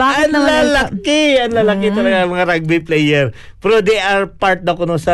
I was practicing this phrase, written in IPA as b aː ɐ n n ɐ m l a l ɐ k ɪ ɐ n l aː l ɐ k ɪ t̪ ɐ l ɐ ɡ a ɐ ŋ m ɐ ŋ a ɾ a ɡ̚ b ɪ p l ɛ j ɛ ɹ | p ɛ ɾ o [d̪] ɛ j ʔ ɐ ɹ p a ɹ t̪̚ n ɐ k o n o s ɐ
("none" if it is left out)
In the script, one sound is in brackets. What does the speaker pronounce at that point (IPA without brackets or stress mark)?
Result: d̪